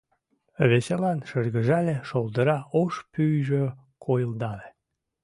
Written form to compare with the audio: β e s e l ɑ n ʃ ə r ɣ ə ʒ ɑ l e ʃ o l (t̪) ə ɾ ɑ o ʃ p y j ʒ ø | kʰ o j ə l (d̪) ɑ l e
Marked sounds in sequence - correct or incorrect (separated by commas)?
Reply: incorrect, correct